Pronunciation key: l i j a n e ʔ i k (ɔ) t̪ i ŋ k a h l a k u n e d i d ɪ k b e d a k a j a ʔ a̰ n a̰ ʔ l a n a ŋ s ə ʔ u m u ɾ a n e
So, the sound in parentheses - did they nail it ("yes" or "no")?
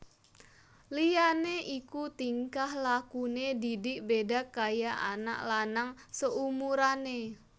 no